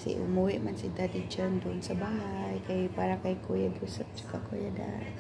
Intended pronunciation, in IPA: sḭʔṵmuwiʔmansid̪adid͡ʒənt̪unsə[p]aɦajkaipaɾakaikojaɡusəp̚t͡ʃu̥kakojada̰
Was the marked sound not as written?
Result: yes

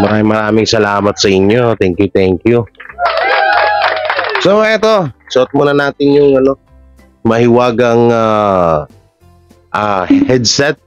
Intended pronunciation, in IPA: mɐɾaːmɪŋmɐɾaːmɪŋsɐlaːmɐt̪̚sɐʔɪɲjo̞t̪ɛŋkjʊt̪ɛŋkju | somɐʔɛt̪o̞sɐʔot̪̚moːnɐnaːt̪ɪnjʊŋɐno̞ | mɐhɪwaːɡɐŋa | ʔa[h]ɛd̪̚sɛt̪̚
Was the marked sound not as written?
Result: no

